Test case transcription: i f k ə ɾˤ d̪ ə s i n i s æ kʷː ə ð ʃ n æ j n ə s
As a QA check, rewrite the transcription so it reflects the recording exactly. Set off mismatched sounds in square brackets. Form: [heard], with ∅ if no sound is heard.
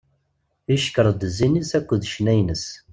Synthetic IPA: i [ʃ] k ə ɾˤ d̪ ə [z] i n i s æ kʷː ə ð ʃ n æ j n ə s